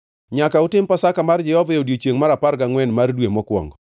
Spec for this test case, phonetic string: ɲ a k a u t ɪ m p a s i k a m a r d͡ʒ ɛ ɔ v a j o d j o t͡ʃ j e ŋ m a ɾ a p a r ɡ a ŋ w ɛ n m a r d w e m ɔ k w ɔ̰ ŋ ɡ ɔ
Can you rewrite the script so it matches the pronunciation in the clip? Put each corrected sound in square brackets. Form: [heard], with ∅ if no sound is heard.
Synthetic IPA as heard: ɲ a k a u t ɪ m p a s [a] k a m a r d͡ʒ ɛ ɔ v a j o d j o t͡ʃ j e ŋ m a ɾ a p a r ɡ a ŋ w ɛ n m a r d w e m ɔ k w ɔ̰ ŋ ɡ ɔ